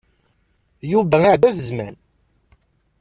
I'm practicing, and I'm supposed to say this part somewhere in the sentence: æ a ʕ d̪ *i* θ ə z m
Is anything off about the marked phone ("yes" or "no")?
yes